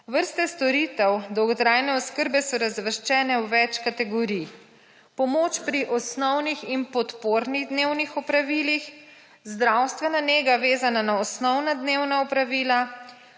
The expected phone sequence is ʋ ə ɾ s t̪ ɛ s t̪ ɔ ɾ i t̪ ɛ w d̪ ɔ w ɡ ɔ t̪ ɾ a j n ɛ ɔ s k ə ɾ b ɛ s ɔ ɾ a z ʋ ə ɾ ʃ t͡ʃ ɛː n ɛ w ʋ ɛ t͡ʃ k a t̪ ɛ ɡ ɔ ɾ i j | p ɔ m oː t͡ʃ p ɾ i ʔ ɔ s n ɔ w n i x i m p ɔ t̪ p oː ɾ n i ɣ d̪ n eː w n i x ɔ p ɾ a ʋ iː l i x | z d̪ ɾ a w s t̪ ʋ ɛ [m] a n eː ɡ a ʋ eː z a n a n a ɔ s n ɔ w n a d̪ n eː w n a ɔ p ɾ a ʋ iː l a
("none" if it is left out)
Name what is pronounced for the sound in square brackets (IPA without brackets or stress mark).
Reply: n